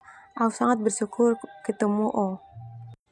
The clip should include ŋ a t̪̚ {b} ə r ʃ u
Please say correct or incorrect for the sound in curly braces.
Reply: correct